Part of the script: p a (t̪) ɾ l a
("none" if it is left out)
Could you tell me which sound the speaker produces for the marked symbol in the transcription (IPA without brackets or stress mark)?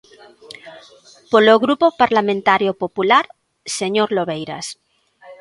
none